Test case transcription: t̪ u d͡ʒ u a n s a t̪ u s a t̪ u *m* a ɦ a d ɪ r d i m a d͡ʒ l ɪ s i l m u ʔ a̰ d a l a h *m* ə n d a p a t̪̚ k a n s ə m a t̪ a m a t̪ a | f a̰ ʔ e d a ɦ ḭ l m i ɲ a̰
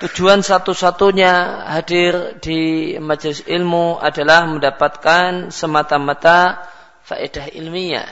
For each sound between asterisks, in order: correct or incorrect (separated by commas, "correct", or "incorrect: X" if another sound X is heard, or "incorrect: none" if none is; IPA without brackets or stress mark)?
incorrect: ɲ, correct